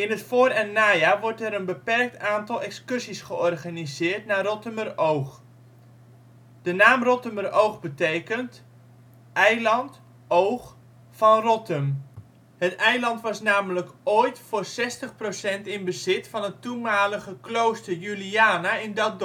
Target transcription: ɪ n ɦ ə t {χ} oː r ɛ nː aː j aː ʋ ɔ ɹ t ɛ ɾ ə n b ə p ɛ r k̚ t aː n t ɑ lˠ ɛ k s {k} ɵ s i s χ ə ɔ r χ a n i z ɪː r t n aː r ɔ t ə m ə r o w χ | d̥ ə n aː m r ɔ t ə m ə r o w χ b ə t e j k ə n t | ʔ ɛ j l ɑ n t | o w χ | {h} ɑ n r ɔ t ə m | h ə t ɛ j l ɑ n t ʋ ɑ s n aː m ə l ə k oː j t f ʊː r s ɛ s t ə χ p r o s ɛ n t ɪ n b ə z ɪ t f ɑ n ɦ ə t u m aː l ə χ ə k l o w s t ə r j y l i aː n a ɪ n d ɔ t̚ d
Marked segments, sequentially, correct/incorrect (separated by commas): incorrect, correct, incorrect